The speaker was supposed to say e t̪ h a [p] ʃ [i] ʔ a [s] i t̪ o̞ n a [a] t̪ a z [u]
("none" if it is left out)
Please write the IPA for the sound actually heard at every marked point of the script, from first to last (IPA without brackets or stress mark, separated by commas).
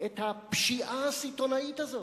p, i, s, i, o